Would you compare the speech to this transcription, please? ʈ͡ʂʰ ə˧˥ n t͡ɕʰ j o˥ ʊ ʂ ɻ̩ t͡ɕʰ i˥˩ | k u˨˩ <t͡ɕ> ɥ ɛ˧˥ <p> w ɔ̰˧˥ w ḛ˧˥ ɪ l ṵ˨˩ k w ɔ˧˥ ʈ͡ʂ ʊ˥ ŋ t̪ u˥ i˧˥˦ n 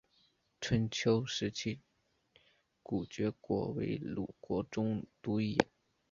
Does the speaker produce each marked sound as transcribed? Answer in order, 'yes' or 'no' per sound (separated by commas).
yes, no